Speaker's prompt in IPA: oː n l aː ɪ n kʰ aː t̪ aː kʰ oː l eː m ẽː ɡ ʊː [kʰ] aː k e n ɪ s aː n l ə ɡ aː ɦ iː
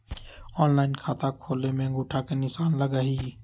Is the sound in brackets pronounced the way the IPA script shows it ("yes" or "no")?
no